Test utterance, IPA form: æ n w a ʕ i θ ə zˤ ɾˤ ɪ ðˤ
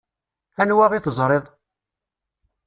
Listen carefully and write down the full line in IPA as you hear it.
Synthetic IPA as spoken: æ n w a ʁ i θ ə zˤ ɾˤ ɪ ðˤ